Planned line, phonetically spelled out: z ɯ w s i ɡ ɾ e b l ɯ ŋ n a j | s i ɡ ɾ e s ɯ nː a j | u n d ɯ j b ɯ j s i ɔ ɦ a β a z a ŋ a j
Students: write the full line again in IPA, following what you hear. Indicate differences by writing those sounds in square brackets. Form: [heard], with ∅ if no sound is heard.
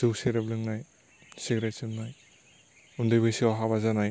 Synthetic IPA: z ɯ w s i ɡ ɾ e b l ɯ ŋ n a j | s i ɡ ɾ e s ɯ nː a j | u n d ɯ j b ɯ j s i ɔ ɦ a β a z a [n] a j